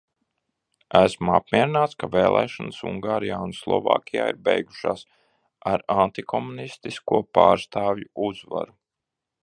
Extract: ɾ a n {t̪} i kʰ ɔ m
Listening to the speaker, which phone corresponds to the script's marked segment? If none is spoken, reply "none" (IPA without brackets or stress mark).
t̪